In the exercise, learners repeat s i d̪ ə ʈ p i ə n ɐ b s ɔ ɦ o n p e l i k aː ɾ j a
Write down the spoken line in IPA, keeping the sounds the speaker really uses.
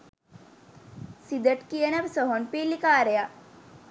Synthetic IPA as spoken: s i d̪ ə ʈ k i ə n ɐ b s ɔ ɦ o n p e l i k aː ɾ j a